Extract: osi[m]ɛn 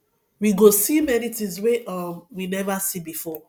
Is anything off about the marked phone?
no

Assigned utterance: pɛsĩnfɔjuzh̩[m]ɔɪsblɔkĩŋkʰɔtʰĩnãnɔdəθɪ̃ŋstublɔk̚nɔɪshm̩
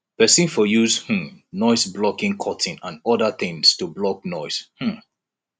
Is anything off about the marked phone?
yes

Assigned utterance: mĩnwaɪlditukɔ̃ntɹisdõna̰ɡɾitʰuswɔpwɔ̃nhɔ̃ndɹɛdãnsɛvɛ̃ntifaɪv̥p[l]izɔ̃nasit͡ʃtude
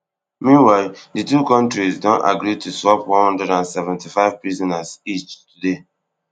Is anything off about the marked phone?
yes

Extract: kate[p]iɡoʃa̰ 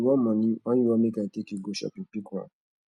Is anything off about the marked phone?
yes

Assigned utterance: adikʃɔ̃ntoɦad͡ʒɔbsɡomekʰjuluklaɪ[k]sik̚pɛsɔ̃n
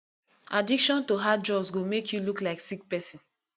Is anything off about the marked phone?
no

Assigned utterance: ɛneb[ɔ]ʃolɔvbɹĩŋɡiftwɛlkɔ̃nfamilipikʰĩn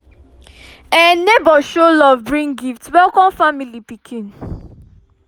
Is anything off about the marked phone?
no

